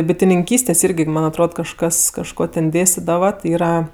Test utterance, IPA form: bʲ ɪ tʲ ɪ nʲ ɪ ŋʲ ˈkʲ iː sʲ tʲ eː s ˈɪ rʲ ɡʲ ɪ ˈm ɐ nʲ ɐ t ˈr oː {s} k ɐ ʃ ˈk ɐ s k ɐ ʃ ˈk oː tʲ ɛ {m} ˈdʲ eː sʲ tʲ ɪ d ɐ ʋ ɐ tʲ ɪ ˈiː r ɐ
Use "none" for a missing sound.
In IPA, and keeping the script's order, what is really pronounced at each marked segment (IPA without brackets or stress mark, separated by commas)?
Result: t, n